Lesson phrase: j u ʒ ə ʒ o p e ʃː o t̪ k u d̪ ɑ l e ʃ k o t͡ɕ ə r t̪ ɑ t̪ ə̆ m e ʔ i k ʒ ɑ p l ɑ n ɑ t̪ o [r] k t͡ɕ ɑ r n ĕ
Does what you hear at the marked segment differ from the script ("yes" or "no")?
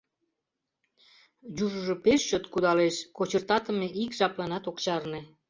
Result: yes